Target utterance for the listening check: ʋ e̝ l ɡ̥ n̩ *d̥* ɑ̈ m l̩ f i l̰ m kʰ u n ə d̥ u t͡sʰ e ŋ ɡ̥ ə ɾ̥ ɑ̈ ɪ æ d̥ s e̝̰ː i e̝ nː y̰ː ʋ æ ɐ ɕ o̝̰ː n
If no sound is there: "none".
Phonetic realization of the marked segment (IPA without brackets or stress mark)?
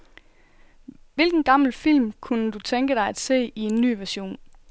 ɡ̥